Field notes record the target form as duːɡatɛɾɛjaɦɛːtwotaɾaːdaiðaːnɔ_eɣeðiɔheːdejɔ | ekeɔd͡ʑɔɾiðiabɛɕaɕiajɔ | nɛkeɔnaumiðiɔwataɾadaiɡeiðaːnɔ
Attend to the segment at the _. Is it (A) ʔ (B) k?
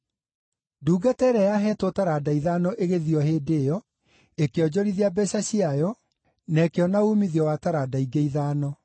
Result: A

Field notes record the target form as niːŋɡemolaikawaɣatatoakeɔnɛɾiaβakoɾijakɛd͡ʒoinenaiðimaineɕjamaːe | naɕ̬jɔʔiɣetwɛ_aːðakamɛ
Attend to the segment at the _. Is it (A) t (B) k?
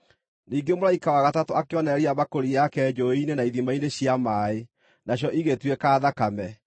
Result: B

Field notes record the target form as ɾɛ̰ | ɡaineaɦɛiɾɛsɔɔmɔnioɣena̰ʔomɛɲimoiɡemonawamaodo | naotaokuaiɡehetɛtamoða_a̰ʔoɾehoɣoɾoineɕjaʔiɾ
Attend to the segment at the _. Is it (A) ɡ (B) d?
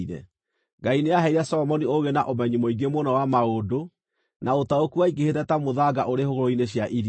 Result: A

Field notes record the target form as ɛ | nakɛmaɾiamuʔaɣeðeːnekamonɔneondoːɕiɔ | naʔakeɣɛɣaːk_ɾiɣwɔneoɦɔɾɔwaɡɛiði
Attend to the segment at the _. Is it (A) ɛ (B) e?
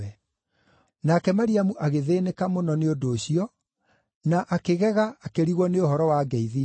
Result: B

